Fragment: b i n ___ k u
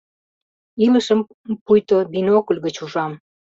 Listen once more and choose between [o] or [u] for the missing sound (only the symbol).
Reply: o